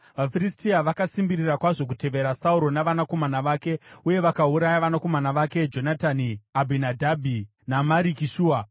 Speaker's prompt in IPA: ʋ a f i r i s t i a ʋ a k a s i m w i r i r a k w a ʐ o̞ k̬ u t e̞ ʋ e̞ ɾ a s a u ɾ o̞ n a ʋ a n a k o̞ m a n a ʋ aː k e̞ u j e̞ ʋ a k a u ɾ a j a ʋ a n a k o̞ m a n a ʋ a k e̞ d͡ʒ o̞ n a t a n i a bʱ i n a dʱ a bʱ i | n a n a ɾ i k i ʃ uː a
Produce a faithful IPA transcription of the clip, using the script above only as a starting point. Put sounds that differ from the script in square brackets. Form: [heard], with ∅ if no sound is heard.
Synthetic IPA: ʋ a f i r i s t i a ʋ a k a s i m [b] i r i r a k w a ʐ o̞ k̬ u t e̞ ʋ e̞ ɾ a s a u ɾ o̞ n a ʋ a n a k o̞ m a n a ʋ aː k e̞ u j e̞ ʋ a k a u ɾ a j a ʋ a n a k o̞ m a n a ʋ a k e̞ d͡ʒ o̞ n a t a n i a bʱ i n a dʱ a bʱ i | n a [m] a ɾ i k i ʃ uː a